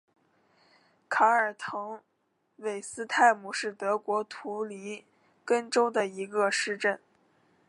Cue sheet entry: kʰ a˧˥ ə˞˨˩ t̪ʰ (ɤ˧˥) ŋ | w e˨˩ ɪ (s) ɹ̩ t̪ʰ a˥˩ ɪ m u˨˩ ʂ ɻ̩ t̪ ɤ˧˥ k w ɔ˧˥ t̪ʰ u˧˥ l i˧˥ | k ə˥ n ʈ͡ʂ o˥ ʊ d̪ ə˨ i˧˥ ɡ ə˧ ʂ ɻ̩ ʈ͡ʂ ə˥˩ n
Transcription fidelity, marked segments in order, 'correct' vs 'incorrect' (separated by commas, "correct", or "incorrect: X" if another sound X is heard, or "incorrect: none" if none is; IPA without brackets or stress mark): correct, correct